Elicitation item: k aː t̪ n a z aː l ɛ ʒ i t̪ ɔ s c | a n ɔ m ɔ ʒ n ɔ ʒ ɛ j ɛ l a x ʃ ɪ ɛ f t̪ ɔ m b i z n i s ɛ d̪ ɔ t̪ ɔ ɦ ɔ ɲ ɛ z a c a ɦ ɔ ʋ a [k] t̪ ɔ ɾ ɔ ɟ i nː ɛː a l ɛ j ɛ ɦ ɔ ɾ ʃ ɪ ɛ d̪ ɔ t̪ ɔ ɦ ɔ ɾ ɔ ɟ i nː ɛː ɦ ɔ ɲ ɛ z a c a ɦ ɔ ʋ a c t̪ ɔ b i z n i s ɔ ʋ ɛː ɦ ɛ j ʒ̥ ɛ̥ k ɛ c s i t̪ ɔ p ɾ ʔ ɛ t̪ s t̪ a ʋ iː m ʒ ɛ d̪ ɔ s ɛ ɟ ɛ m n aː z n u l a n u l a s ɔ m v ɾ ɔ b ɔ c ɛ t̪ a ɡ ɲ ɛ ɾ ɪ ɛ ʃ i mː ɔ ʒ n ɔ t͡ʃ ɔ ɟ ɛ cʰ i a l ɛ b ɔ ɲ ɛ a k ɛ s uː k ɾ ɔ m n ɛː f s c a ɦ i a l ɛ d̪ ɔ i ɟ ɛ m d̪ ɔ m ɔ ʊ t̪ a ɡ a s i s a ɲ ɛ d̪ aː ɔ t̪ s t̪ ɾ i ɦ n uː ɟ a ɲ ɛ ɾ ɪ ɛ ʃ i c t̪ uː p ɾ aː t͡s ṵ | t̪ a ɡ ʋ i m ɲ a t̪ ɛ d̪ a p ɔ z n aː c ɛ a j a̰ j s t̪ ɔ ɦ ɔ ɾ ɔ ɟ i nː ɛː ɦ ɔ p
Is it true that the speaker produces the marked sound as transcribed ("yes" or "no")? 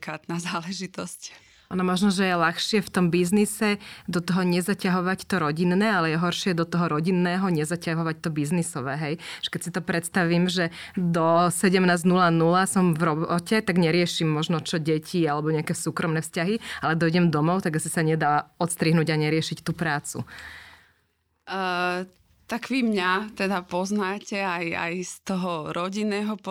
no